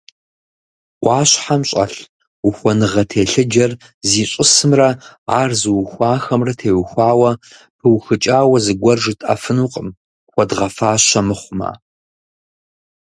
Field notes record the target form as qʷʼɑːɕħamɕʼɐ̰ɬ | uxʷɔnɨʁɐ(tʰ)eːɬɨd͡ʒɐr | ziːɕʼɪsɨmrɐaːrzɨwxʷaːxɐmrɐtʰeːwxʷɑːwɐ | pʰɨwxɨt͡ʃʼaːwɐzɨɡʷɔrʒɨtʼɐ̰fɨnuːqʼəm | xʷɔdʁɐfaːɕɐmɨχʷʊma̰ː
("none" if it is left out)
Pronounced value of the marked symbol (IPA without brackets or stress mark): tʰ